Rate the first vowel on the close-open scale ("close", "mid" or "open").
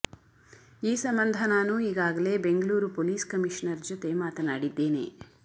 close